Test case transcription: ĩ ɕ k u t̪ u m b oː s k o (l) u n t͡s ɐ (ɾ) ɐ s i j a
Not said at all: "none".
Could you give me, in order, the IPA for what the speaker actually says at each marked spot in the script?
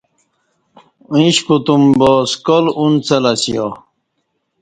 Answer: l, l

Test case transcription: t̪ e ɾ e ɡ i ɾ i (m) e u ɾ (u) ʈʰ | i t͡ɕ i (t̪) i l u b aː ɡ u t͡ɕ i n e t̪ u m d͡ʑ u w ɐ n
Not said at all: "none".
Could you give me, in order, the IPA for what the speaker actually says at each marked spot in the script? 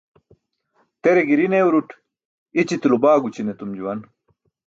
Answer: n, u, t̪

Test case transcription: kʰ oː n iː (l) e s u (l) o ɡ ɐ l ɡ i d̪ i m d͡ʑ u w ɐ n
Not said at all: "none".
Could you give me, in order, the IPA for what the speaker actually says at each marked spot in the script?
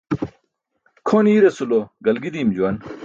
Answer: ɾ, l

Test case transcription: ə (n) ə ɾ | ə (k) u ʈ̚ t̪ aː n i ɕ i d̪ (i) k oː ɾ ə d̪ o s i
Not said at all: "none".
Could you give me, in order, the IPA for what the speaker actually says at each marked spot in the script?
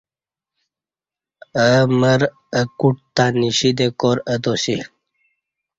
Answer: m, k, e

